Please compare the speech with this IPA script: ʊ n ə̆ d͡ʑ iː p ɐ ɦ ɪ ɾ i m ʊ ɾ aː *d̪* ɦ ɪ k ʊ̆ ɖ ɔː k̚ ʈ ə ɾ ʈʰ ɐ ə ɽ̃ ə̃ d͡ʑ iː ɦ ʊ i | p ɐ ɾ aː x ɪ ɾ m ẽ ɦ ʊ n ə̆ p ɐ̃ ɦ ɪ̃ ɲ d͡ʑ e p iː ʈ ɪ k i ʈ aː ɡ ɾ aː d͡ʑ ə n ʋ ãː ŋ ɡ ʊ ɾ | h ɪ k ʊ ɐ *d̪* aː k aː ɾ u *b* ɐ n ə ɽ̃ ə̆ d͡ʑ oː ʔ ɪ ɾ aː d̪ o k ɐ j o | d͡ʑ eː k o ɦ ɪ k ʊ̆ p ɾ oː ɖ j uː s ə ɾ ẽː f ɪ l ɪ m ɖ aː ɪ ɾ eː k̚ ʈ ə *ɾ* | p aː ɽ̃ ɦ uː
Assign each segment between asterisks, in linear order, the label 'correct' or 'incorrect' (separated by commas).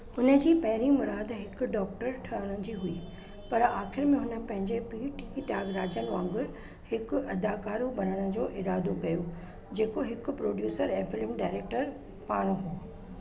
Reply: correct, correct, correct, correct